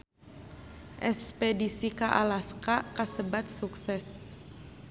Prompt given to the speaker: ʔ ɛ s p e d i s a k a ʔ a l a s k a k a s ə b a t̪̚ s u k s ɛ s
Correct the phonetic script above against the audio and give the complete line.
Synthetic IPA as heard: ʔ ɛ s p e d i s i k a ʔ a l a s k a k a s ə b a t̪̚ s u k s ɛ s